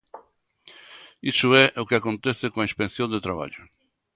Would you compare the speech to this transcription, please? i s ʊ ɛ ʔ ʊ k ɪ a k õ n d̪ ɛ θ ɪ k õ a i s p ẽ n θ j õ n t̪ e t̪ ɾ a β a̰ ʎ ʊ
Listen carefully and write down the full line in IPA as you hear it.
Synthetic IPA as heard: i s ʊ ɛ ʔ ʊ k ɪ a k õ n t̪ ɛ θ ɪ k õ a i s p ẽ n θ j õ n d̪ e t̪ ɾ a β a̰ ʎ ʊ